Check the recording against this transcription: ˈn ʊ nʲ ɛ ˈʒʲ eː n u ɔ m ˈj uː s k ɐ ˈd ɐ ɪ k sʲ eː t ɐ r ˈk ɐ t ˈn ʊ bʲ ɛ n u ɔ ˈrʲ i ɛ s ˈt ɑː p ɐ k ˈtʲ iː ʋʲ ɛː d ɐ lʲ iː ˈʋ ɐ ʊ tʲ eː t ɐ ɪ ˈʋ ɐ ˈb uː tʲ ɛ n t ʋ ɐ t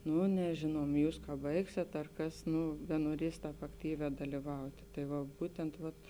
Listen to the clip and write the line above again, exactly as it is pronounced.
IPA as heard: ˈn ʊ nʲ ɛ ˈʒʲ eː n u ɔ m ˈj uː s k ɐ ˈb ɐ ɪ k sʲ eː t ɐ r ˈk ɐ s ˈn ʊ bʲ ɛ n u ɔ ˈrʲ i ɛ s ˈt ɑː p ɐ k ˈtʲ iː ʋʲ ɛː d ɐ lʲ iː ˈʋ ɐ ʊ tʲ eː t ɐ ɪ ˈʋ ɐ ˈb uː tʲ ɛ n t ʋ ɐ t